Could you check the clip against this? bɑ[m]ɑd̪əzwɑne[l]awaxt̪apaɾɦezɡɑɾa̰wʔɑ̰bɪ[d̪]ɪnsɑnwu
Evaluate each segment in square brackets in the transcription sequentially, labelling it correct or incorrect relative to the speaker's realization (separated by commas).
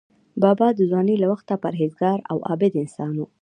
incorrect, correct, correct